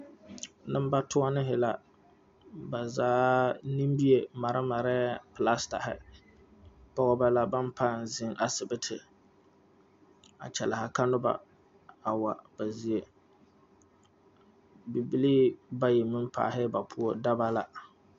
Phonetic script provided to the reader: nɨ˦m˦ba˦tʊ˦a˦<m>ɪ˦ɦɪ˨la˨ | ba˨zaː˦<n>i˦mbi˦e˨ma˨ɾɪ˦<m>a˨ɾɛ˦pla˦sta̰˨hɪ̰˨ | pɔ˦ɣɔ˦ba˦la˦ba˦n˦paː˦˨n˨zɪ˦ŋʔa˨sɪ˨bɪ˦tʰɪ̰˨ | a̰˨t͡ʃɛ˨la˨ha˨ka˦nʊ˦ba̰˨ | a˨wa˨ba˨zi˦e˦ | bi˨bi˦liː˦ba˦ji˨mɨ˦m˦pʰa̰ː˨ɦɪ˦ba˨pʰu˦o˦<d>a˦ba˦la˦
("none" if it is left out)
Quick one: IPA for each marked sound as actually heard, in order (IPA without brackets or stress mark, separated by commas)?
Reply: n, n, m, d